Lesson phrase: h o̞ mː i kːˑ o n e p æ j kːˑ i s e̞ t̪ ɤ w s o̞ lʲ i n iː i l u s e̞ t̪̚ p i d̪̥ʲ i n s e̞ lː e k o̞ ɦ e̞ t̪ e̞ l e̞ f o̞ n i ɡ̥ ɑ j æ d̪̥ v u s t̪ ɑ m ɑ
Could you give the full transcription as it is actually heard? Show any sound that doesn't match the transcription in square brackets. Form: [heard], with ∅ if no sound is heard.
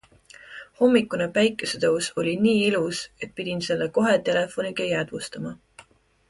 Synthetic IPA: h o̞ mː i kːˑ [u] n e p æ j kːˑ [e] s e̞ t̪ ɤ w s o̞ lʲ i n iː i l u s e̞ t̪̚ p i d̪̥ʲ i n s e̞ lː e k o̞ ɦ e̞ t̪ e̞ l e̞ f o̞ n i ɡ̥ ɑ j æ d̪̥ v u s t̪ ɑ m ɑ

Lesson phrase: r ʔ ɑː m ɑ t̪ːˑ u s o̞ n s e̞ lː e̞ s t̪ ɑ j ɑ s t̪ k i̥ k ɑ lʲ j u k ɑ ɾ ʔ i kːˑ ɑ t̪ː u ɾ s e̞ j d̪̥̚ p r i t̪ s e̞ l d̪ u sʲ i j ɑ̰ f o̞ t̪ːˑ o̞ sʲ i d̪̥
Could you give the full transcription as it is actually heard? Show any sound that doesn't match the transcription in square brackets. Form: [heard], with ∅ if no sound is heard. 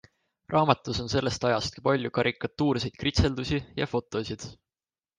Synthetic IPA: r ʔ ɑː m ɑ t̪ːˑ u s o̞ n s e̞ lː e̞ s t̪ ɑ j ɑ s t̪ k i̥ [p] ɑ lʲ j u k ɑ ɾ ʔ i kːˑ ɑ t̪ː [uː] ɾ s e̞ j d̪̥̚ [k] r i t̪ s e̞ l d̪ u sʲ i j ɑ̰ f o̞ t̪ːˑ o̞ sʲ i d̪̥

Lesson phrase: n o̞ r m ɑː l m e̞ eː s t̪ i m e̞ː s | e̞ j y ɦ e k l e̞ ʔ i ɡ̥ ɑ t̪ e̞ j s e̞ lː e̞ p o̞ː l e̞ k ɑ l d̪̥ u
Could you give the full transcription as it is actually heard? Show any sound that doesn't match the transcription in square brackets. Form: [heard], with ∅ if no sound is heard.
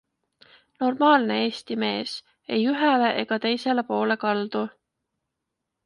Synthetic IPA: n o̞ r m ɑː l [n] e̞ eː s t̪ i m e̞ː s | e̞ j y ɦ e [∅] l e̞ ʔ [e] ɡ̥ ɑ t̪ e̞ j s e̞ [l] e̞ p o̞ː l e̞ k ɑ l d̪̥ u

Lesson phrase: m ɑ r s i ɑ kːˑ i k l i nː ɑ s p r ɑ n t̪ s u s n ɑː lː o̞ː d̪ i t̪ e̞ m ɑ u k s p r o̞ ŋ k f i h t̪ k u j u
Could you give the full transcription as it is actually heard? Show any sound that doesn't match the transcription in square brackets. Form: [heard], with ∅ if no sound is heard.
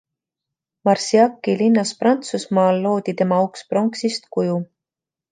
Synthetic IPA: m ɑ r s i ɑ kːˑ i [∅] l i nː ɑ s p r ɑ n t̪ s u s [m] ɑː lː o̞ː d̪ i t̪ e̞ m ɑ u k s p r o̞ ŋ k [s] i [s] t̪ k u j u

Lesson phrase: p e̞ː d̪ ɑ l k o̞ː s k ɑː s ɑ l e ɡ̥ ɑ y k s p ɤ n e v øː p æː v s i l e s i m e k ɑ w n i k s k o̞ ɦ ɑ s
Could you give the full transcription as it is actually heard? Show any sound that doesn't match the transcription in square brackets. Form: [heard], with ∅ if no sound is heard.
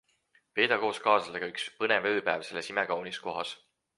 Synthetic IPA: p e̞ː d̪ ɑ [∅] k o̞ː s k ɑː s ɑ l e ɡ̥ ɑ y k s p ɤ n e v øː p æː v s [e] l e s i m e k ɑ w n i [∅] s k o̞ ɦ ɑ s

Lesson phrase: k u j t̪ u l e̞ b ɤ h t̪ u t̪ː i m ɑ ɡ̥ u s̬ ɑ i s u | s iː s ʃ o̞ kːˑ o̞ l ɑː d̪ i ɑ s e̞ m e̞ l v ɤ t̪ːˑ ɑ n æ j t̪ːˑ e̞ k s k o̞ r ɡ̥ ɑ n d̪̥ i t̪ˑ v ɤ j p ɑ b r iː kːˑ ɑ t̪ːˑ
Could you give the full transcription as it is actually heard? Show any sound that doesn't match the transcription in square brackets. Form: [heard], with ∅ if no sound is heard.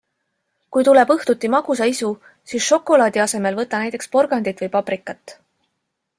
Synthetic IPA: k u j t̪ u l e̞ b ɤ h t̪ u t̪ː i m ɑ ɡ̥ u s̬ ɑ i s u | s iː s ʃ o̞ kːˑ o̞ l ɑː d̪ i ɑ s e̞ m e̞ l v ɤ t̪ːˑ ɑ n æ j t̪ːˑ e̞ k s [p] o̞ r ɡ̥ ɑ n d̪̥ i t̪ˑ v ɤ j p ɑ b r [i] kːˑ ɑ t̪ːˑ

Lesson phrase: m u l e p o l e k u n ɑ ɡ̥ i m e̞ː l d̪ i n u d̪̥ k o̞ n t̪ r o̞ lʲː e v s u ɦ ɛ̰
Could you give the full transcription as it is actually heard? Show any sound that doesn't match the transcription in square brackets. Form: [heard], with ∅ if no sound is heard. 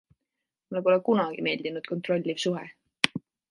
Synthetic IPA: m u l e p o l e k u n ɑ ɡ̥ i m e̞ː l d̪ i n u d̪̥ k o̞ n t̪ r o̞ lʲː [i] v s u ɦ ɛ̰

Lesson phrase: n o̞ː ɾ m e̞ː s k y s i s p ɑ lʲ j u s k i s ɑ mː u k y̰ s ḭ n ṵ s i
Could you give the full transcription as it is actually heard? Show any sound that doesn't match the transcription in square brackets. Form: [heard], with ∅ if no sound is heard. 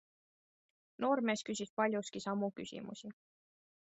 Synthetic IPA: n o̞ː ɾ m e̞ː s k y s i s p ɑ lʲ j u s k i s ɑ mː u k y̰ s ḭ [m] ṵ s i

